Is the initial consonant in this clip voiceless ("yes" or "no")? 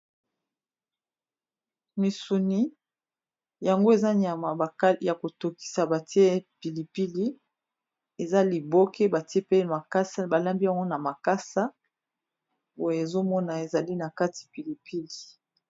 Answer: no